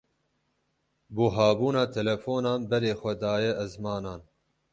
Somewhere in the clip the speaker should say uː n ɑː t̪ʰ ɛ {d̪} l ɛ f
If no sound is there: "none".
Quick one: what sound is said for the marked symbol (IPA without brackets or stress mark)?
none